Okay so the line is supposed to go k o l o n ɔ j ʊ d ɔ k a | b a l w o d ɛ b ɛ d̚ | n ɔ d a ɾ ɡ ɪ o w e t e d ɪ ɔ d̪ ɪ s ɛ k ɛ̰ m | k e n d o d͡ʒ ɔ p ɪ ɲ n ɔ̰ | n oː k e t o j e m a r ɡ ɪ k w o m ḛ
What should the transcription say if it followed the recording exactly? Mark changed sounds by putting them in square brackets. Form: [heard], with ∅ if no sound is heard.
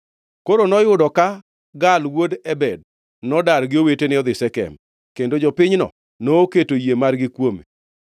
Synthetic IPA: k o [ɾ] o n ɔ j ʊ d ɔ k a | [ɡ] a l w o d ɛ b ɛ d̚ | n ɔ d a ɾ ɡ ɪ o w e t e [n] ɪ ɔ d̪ ɪ s ɛ k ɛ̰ m | k e n d o d͡ʒ ɔ p ɪ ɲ n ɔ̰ | n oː k e t o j e m a r ɡ ɪ k w o m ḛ